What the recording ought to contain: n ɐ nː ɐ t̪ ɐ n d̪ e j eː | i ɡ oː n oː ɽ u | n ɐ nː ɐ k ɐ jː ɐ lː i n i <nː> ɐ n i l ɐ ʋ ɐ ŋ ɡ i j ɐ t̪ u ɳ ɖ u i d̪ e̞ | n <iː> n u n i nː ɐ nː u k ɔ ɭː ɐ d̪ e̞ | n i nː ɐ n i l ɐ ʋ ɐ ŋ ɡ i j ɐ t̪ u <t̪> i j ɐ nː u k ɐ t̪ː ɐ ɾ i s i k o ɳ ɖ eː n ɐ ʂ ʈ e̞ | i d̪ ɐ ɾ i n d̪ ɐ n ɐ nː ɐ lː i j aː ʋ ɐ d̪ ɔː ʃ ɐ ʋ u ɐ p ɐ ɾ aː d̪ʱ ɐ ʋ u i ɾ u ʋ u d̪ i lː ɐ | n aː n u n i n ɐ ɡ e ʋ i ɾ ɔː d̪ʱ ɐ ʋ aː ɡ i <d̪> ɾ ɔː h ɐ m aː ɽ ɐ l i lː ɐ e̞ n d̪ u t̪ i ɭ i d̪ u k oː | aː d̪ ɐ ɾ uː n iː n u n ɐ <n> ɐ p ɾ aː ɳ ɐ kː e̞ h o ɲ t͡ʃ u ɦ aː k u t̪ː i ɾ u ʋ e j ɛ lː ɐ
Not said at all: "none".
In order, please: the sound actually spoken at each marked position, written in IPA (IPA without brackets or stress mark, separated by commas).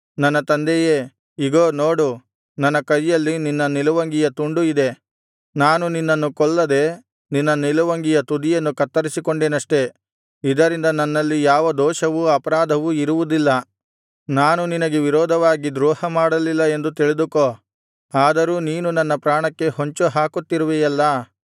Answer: nː, aː, d̪, d̪, nː